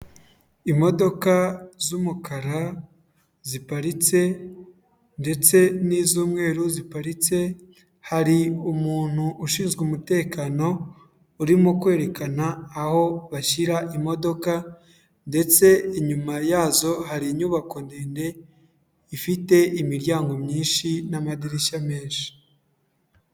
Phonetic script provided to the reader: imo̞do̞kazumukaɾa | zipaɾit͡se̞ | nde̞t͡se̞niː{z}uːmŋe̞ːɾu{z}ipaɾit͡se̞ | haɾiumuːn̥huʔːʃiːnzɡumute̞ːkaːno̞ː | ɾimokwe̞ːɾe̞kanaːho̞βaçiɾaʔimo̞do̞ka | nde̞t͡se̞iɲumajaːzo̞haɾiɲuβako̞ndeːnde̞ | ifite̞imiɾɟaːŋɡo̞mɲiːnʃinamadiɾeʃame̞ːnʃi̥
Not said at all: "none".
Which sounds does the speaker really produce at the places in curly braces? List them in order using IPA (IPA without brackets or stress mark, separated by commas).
z, z